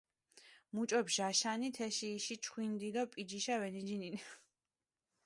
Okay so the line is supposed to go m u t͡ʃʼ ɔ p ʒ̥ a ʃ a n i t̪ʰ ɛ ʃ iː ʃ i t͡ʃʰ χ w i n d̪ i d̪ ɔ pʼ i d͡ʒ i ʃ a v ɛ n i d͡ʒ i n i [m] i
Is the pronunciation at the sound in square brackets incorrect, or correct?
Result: incorrect